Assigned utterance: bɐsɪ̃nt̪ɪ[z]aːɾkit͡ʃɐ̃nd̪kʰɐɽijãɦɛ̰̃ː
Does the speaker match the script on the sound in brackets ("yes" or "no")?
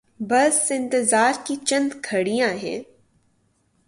yes